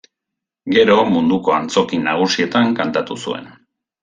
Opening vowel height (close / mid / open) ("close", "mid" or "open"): mid